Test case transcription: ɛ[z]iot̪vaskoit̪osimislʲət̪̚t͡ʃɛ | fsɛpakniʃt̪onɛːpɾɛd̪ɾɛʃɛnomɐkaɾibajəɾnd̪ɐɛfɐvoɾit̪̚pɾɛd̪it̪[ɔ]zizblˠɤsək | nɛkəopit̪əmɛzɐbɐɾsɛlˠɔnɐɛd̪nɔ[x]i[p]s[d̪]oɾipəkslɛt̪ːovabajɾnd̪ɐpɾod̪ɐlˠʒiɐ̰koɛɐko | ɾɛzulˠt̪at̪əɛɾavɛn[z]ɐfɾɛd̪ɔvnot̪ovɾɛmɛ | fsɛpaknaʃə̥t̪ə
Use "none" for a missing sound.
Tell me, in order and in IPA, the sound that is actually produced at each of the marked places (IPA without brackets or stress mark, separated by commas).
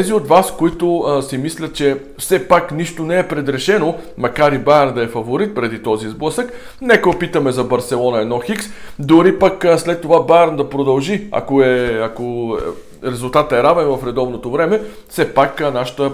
z, ɔ, x, k, d̪, v